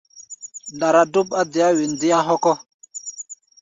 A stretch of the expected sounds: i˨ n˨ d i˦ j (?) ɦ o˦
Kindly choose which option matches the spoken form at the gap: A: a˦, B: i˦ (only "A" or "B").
A